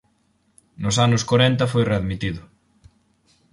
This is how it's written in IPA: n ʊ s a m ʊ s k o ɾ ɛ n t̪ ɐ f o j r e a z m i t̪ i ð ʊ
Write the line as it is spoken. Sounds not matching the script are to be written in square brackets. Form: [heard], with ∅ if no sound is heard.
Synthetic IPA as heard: n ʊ s a [n] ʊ s k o ɾ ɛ n t̪ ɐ f o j r e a [ð] m i t̪ i ð ʊ